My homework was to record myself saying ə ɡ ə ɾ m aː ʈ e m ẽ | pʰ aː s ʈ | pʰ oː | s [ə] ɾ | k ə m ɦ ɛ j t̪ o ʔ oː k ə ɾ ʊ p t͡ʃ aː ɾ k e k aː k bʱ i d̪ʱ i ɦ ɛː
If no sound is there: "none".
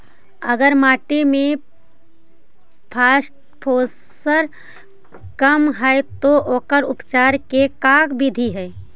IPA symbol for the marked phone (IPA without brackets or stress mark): ə